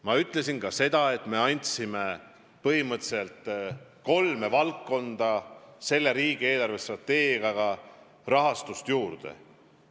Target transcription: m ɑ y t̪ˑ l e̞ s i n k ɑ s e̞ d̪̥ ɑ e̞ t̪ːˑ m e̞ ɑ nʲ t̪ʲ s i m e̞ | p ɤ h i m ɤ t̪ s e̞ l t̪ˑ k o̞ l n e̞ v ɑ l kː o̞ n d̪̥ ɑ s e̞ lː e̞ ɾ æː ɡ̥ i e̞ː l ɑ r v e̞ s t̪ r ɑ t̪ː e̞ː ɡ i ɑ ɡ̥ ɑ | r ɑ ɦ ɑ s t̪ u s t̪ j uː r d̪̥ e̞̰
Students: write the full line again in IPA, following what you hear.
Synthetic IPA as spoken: m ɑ y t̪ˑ l e̞ s i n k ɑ s e̞ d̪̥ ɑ e̞ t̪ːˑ m e̞ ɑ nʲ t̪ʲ s i m e̞ | p ɤ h i m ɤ t̪ s e̞ l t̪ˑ k o̞ l m e̞ v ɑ l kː o̞ n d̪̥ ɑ s e̞ lː e̞ ɾ iː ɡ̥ i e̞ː l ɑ r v e̞ s t̪ r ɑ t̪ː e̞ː ɡ i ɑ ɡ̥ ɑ | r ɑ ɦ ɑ s t̪ u s t̪ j uː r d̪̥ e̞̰